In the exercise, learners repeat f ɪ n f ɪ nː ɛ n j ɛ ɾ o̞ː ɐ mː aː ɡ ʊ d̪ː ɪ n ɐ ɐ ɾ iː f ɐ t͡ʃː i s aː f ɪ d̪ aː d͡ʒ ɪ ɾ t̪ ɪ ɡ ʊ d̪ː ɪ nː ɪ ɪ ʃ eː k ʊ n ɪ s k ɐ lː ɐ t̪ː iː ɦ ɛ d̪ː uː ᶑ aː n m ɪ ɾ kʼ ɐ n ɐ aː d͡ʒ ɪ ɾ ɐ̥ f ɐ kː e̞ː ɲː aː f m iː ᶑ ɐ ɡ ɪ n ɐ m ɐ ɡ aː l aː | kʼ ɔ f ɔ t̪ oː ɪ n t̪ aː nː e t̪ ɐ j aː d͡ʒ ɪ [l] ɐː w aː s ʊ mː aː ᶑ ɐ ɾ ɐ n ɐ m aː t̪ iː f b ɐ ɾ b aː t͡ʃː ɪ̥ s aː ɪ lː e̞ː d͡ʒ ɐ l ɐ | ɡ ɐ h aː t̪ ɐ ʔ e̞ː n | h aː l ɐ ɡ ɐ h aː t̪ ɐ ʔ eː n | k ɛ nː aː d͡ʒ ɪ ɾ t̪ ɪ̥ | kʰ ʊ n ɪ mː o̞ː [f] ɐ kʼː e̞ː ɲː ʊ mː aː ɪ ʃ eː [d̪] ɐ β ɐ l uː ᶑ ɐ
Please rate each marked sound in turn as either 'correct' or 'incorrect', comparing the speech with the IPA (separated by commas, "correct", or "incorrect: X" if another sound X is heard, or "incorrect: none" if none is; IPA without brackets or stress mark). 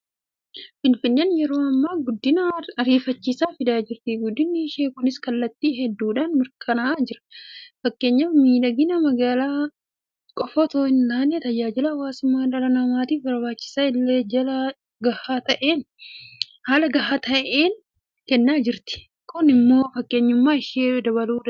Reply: correct, correct, correct